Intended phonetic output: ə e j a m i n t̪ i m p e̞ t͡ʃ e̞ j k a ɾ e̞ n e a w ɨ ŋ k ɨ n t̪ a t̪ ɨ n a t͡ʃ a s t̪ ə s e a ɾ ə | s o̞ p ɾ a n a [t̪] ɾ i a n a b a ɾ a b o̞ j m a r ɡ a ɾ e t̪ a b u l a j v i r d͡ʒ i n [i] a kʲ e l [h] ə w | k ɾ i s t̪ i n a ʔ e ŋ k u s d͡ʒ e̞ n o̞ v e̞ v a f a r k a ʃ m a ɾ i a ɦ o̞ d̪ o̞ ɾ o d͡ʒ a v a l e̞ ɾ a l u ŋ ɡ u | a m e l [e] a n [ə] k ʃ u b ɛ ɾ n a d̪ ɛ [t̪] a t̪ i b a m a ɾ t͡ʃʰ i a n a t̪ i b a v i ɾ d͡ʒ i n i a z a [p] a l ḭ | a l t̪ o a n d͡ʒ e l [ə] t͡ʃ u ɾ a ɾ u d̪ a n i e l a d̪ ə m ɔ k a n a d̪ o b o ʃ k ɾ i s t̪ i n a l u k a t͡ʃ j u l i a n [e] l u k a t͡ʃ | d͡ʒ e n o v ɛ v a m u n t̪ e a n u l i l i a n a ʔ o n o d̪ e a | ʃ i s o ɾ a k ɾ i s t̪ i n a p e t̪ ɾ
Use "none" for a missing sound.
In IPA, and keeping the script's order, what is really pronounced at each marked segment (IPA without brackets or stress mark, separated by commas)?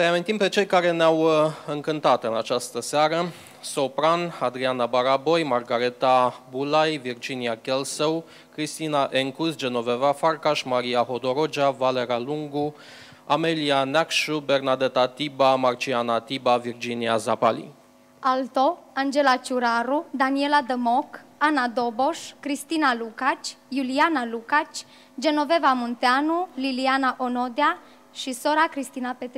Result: d̪, i, s, i, a, t̪, p, a, a